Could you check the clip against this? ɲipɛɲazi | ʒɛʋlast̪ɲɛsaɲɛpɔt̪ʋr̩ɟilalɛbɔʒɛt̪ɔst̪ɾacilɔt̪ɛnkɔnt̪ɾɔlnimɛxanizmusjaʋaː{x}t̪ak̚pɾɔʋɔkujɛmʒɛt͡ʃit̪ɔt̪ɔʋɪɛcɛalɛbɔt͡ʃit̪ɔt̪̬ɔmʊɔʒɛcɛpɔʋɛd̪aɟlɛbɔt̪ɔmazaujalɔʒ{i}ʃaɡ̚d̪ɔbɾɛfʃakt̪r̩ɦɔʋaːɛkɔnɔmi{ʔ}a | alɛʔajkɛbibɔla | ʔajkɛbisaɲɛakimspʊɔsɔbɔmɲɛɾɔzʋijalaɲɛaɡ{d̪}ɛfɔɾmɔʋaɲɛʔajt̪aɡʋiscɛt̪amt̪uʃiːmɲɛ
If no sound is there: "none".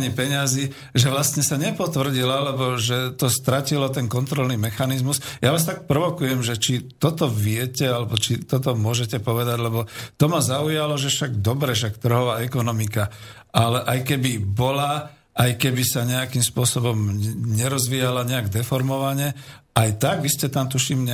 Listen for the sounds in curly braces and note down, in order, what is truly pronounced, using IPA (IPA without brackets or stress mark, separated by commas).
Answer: s, ɛ, k, d̪